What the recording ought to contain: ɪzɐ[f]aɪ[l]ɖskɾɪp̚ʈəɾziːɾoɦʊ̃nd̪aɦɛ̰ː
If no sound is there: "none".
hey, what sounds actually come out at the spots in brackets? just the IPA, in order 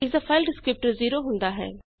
f, l

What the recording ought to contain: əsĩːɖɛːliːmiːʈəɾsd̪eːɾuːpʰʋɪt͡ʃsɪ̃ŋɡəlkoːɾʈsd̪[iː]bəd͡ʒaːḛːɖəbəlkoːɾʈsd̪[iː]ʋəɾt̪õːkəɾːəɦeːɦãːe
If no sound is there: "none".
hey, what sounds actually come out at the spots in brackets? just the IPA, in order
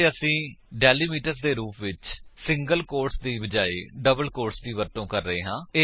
iː, iː

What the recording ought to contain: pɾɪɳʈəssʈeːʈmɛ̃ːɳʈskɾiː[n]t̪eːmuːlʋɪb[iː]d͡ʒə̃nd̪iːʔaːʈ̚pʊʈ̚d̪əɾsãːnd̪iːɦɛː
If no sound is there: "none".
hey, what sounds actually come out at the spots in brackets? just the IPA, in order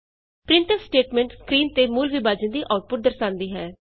n, aː

